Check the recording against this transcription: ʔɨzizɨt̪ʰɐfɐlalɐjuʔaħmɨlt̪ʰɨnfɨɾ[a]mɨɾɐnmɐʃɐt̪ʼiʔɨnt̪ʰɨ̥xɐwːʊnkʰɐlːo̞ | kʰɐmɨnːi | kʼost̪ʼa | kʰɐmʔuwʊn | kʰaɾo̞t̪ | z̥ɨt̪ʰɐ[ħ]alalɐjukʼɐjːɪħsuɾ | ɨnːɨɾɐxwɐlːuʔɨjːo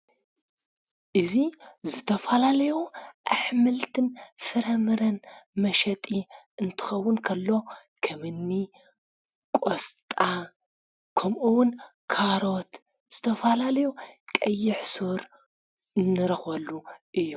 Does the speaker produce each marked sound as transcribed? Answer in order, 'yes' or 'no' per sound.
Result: no, no

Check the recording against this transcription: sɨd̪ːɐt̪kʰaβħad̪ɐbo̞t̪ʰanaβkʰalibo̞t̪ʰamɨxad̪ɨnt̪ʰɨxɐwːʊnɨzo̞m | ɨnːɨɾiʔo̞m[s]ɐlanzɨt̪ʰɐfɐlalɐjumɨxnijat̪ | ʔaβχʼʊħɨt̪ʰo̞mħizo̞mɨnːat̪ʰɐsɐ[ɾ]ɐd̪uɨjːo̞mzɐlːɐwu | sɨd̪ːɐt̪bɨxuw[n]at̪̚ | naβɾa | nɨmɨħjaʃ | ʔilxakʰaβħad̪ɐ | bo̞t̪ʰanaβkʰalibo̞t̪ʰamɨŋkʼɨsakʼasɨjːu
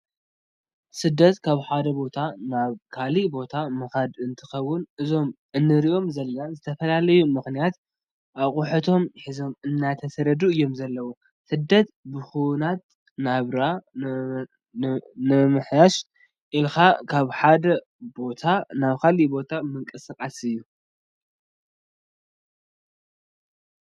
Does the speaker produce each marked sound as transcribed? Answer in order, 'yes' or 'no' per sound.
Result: no, yes, yes

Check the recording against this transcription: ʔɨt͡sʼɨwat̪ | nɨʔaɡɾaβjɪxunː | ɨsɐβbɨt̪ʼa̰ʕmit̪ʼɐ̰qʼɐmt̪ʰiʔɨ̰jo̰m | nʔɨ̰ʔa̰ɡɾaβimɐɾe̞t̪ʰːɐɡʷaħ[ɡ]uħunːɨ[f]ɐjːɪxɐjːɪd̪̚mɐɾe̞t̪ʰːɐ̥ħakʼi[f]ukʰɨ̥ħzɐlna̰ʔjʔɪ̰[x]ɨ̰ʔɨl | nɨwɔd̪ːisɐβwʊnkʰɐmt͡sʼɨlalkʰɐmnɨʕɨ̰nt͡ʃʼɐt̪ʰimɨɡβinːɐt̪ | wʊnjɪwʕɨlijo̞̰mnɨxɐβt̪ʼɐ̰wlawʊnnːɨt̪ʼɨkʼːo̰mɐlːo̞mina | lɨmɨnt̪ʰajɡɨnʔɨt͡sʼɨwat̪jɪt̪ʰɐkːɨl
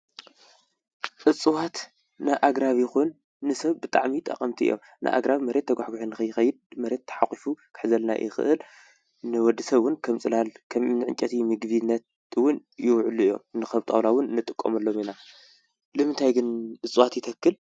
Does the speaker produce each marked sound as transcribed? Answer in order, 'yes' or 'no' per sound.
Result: yes, no, yes, yes

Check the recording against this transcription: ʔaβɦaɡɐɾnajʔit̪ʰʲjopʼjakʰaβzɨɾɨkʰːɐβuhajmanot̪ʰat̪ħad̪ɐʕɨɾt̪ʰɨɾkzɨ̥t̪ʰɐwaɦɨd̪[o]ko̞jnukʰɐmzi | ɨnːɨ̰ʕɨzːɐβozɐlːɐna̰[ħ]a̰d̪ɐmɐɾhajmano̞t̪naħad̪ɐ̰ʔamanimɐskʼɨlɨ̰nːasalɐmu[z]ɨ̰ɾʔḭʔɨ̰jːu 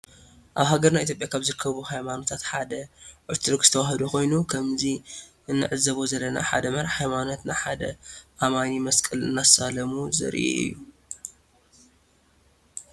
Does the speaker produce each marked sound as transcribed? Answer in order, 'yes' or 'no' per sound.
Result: no, yes, yes

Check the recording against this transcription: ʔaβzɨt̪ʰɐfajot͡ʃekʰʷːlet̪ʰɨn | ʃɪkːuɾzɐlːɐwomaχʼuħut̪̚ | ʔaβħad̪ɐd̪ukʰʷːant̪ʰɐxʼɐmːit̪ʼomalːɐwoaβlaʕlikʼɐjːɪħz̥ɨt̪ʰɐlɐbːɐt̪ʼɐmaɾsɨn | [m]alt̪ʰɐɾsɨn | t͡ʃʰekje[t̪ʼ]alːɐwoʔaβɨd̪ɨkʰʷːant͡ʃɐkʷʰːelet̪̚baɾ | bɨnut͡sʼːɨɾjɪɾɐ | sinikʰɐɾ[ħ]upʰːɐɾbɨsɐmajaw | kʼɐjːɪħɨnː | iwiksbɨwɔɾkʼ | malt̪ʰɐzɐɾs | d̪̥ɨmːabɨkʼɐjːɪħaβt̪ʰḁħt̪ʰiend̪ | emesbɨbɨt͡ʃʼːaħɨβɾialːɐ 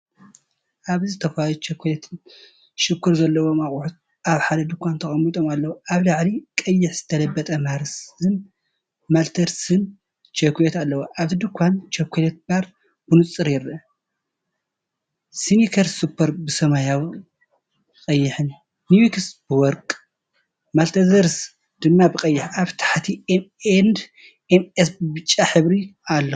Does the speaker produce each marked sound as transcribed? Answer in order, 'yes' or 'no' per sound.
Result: yes, no, no

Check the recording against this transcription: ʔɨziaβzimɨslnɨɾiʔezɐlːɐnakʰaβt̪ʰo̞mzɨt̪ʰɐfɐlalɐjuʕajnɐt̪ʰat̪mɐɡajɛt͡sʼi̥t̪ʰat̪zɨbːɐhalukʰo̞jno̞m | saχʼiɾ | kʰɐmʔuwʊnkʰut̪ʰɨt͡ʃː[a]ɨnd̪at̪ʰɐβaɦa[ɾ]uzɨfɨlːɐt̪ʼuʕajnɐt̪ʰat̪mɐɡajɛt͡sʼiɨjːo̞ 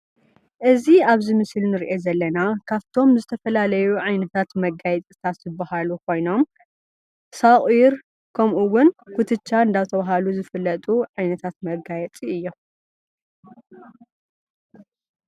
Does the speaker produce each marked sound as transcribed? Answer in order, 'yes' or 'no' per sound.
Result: yes, no

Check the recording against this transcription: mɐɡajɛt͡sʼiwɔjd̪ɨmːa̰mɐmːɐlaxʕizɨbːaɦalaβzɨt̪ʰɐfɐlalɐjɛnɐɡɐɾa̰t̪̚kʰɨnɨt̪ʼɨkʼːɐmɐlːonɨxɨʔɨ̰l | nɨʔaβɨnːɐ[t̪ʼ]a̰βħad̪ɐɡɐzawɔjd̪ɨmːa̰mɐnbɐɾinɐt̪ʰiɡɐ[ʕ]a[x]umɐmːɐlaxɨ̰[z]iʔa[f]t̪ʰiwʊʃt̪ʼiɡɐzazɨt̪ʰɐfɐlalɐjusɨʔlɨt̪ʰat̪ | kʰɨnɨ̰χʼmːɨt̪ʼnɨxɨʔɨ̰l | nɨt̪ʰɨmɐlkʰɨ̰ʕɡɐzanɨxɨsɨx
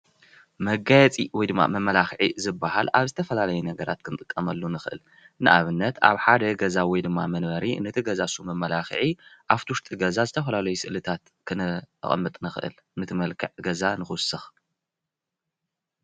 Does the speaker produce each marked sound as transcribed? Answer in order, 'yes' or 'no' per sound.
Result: no, no, no, no, yes

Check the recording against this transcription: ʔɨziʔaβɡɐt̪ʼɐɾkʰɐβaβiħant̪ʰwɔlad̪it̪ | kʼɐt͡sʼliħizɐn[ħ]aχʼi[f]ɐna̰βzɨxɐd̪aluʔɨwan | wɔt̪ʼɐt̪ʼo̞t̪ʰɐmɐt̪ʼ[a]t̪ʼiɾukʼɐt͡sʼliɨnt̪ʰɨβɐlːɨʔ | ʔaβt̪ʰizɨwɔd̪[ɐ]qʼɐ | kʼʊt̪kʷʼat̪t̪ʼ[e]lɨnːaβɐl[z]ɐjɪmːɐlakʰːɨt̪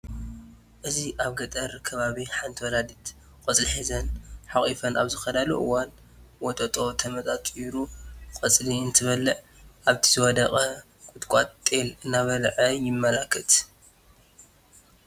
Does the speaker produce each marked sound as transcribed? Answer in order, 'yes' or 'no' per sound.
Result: yes, yes, yes, yes, yes, no

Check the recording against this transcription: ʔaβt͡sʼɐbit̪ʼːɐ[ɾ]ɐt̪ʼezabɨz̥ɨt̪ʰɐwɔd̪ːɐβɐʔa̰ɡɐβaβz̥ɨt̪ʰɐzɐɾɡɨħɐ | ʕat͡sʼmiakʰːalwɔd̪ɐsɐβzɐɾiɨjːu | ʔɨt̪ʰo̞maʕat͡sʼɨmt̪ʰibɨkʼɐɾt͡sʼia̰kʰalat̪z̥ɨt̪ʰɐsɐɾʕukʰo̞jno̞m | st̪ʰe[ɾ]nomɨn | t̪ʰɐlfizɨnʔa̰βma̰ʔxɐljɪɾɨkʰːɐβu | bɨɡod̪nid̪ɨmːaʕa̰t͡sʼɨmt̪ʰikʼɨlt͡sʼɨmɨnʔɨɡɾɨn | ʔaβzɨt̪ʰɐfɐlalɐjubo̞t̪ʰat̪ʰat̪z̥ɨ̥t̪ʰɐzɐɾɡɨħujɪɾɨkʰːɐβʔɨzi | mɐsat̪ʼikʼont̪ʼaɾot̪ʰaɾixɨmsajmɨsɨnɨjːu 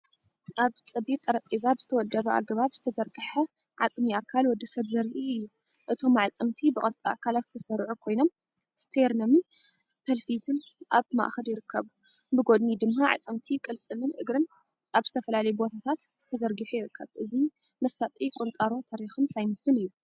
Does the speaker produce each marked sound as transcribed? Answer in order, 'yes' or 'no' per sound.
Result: yes, yes

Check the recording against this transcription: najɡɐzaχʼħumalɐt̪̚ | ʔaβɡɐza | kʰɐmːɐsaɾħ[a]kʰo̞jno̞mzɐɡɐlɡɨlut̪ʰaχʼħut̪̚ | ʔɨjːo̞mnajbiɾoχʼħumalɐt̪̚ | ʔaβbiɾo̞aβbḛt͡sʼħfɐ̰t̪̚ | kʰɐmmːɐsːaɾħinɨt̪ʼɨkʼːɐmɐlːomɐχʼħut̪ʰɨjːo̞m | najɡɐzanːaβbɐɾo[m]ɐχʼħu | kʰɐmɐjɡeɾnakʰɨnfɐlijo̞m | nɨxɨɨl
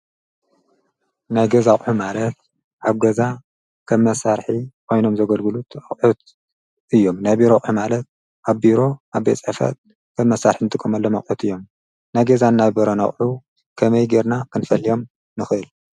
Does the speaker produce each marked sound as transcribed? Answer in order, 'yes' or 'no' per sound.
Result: no, no

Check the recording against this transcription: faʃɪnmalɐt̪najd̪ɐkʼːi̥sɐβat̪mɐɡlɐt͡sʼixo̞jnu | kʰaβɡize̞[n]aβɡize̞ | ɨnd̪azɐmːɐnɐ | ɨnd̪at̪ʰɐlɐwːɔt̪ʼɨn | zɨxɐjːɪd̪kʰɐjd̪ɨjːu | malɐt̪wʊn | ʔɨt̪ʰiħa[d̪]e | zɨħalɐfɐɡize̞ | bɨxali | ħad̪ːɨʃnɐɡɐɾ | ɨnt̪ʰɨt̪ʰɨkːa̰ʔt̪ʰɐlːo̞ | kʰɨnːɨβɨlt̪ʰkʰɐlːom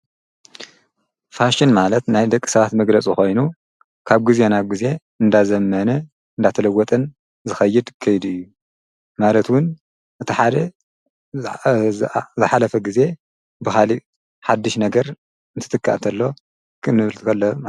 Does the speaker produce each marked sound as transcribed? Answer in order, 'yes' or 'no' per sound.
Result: yes, yes

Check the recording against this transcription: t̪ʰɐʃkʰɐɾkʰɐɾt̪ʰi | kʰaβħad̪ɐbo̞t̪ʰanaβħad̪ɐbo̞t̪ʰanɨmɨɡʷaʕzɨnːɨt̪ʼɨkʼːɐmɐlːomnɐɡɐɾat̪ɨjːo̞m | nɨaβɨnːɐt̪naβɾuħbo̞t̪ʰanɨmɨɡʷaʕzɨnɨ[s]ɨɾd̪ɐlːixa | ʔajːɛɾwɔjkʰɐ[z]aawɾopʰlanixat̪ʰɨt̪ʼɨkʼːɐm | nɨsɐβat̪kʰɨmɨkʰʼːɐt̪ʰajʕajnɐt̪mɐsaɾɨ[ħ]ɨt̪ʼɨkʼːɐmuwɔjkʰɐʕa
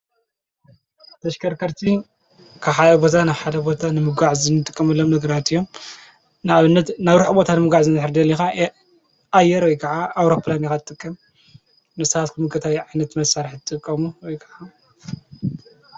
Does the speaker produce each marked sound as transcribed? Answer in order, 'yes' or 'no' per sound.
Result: no, no, yes

